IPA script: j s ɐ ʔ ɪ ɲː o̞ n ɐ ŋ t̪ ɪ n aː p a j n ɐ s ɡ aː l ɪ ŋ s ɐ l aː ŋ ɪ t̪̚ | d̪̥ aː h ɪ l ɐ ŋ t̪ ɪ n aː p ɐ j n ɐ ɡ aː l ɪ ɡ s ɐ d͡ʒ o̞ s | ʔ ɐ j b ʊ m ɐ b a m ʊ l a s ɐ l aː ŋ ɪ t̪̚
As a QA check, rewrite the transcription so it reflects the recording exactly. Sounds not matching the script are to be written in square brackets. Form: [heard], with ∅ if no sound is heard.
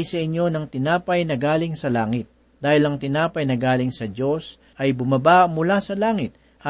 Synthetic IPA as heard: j s ɐ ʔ ɪ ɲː o̞ n ɐ ŋ t̪ ɪ n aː p [ɐ] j n ɐ [∅] ɡ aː l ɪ ŋ s ɐ l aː ŋ ɪ t̪̚ | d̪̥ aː h ɪ l ɐ ŋ t̪ ɪ n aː p ɐ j n ɐ ɡ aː l ɪ [ŋ] s ɐ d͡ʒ o̞ s | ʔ ɐ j b ʊ m ɐ b a m ʊ l a s ɐ l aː ŋ ɪ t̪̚